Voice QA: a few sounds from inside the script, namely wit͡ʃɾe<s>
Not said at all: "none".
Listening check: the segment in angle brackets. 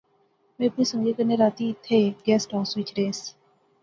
s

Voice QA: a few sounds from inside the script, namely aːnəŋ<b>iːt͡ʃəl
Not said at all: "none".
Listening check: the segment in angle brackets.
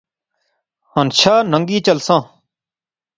ɡ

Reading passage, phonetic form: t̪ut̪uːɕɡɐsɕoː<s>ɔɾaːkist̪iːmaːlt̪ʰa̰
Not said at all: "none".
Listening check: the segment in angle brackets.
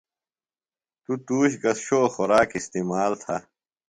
x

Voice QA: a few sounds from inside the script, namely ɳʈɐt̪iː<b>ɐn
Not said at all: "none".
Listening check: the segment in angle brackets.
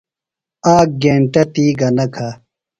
ɡ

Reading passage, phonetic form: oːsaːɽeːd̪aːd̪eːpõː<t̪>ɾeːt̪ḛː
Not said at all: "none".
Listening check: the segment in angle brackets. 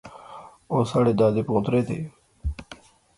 t̪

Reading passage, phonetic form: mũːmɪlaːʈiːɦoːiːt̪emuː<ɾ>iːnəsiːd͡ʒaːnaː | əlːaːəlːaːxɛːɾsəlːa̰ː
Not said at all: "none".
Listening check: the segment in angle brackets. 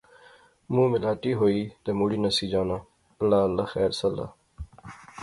ɽ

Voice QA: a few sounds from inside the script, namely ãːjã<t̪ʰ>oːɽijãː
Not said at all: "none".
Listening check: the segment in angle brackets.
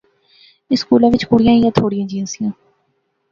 t̪ʰ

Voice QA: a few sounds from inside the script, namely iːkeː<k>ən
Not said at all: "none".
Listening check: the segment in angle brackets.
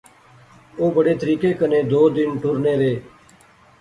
k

